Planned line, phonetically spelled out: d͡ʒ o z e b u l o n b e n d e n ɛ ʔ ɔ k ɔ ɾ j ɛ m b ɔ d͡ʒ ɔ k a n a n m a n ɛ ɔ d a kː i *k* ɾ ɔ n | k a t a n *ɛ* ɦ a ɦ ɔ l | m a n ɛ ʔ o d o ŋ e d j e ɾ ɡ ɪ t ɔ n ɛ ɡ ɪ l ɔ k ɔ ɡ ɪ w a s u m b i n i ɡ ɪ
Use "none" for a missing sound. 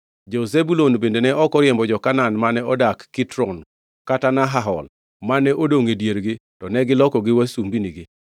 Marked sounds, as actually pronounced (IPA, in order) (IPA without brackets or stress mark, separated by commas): t, a